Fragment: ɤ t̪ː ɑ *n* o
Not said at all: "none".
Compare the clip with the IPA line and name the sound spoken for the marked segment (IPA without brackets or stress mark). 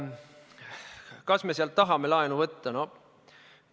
n